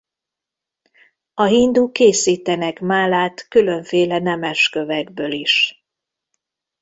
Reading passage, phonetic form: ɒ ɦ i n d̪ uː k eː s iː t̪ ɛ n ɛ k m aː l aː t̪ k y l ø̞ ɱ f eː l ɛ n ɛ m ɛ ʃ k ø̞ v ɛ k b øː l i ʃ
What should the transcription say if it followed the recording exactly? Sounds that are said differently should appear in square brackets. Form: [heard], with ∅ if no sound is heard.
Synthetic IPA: ɒ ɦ i n d̪ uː k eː s iː t̪ ɛ n ɛ k m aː l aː t̪ k y l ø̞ ɱ f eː l ɛ n ɛ m ɛ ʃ k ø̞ v ɛ [ɡ] b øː l i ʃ